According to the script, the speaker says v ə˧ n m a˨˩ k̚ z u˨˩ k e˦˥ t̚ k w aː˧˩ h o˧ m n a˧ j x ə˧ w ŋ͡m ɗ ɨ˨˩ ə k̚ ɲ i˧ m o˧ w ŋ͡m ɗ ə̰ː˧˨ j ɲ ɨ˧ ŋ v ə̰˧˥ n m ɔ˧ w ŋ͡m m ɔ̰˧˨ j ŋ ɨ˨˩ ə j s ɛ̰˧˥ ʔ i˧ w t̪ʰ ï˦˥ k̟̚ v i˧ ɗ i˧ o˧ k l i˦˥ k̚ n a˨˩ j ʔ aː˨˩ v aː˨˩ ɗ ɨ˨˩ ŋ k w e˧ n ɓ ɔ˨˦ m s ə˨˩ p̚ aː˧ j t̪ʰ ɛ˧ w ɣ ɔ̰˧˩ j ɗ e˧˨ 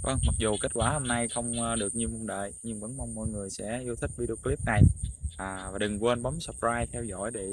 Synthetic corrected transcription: v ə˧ ŋ m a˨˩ k̚ z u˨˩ k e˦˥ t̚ k w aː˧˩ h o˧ m n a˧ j x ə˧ w ŋ͡m ɗ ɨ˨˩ ə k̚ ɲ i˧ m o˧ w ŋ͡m ɗ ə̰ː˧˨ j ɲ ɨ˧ ŋ v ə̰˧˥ n m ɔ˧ w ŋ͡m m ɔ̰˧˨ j ŋ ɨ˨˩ ə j s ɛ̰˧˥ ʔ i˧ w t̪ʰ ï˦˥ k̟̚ v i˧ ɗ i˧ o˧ k l i˦˥ p̚ n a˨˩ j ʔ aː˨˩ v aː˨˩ ɗ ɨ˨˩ ŋ k w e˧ n ɓ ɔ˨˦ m s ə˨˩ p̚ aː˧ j t̪ʰ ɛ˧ w z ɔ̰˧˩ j ɗ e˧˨

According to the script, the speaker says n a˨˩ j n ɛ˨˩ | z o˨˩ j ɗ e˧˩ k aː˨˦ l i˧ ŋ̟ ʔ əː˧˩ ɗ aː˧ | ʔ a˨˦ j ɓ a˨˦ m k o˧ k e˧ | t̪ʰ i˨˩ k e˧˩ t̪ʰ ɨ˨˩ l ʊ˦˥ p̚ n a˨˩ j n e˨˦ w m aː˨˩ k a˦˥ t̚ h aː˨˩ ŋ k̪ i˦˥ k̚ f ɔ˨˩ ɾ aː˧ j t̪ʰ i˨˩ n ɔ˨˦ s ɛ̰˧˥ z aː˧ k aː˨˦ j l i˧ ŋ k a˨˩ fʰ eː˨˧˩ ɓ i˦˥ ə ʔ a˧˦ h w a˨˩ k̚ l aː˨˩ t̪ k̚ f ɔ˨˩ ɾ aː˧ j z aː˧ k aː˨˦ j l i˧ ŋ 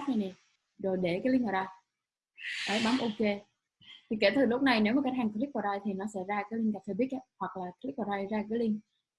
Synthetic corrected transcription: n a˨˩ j n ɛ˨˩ | z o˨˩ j ɗ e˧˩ k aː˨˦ l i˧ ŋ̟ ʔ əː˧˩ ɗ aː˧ | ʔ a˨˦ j ɓ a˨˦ m ʔ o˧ k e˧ | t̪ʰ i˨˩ k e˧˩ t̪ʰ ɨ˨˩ l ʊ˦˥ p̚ n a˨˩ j n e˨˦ w m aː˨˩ k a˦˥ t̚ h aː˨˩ ŋ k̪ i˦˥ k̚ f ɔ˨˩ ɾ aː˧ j t̪ʰ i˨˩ n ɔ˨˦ s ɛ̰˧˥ z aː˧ k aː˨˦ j l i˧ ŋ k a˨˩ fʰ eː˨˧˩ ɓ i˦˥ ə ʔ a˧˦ h w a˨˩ k̚ l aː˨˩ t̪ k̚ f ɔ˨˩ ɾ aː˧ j z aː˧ k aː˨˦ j l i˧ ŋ

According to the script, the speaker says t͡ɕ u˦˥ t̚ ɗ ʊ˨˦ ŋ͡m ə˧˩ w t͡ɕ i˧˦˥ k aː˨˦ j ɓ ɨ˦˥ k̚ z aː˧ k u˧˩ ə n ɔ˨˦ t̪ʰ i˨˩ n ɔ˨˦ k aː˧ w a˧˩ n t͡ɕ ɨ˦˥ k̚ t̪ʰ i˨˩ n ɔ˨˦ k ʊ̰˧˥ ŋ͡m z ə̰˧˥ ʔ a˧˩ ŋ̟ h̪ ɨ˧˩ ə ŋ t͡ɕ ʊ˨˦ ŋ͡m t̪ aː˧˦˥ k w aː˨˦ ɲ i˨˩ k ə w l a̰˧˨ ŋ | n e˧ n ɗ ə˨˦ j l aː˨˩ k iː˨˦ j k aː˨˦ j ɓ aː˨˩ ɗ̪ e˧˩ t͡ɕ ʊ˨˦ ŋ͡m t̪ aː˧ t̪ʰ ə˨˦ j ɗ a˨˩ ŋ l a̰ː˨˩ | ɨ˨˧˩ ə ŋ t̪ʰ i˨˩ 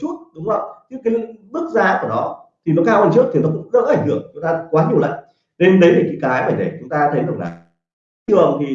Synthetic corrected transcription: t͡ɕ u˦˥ t̚ ɗ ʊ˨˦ ŋ͡m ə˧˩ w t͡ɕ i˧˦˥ k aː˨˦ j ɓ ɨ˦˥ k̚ z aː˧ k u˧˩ ə n ɔ˨˦ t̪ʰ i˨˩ n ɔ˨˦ k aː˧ w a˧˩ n t͡ɕ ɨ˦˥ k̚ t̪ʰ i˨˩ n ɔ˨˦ k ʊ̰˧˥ ŋ͡m z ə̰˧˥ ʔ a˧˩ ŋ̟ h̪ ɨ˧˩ ə ŋ t͡ɕ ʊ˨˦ ŋ͡m t̪ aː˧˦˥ k w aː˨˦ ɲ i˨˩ ə w l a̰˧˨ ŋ | n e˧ n ɗ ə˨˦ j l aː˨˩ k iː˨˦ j k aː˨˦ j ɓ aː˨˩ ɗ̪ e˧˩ t͡ɕ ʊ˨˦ ŋ͡m t̪ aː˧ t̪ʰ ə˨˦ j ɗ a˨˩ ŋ l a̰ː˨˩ | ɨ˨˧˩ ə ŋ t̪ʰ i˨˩

